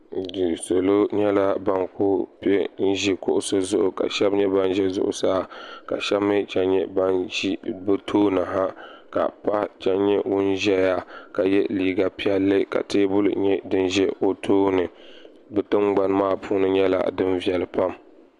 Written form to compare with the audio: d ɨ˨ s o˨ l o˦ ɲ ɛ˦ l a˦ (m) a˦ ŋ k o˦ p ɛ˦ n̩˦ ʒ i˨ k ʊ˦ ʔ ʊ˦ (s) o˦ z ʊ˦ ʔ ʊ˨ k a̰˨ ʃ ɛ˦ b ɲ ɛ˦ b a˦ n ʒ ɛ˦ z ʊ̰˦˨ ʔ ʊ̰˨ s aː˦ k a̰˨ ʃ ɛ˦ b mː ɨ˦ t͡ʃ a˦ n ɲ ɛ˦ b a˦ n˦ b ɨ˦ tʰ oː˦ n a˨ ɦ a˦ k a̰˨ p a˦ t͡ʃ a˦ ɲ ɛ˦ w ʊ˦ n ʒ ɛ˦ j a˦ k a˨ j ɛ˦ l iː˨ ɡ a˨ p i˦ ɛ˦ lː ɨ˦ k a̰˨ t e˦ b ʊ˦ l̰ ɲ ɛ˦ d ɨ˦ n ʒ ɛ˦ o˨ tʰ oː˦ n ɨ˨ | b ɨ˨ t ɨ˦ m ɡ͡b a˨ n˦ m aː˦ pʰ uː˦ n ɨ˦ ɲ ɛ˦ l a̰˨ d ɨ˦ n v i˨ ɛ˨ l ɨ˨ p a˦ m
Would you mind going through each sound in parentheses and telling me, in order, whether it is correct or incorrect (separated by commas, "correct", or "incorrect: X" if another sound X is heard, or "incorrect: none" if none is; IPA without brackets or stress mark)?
incorrect: b, correct